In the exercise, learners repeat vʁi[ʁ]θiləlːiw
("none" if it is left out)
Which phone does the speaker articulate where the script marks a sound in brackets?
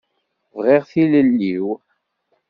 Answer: ʁ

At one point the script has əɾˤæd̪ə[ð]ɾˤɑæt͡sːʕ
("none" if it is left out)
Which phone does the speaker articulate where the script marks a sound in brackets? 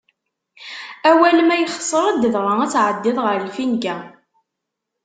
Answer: ð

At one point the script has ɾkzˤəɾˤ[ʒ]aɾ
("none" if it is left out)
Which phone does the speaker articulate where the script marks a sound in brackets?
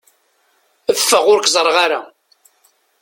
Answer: ʁ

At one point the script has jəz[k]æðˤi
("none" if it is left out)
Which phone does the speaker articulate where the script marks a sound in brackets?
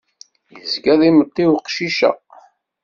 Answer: ɡ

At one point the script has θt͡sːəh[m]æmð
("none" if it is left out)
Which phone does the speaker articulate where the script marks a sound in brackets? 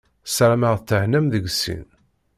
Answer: n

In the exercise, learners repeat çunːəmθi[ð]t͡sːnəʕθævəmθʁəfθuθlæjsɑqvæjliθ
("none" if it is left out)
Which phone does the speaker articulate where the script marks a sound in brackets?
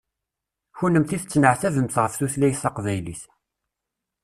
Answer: θ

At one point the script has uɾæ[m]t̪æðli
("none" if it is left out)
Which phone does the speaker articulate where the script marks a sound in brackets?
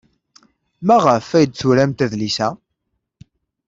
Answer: m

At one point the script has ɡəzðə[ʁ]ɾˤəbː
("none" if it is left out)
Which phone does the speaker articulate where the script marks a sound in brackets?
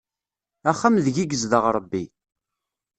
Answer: ʁ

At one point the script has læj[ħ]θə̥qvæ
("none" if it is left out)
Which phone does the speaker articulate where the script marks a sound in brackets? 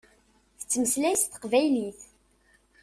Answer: s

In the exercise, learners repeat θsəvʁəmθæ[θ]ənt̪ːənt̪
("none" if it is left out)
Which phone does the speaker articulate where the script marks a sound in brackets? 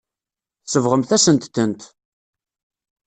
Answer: s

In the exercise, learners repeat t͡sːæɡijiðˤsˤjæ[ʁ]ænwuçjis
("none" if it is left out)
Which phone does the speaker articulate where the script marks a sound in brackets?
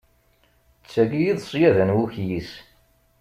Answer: ð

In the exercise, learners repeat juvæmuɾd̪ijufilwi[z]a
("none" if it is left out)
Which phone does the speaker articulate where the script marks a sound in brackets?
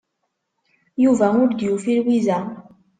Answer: z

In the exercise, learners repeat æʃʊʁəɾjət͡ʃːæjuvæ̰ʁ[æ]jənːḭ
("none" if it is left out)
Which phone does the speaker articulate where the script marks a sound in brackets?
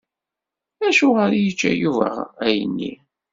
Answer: æ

